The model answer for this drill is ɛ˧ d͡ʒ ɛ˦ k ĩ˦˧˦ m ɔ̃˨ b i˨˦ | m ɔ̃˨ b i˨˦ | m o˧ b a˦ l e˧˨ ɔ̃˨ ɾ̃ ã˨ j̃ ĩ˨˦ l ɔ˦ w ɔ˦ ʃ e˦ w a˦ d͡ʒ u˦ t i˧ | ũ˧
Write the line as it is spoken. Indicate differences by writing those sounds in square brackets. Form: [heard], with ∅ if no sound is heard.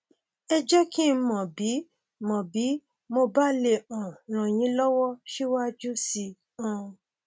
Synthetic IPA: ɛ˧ d͡ʒ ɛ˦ k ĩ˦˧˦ m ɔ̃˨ b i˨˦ | m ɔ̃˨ b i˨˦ | m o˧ b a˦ l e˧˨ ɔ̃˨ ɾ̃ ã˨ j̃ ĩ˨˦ l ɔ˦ w ɔ˦ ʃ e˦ w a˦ d͡ʒ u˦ [s] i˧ | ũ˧